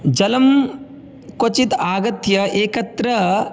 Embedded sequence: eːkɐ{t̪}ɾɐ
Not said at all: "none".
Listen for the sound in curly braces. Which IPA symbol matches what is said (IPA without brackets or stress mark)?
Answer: t̪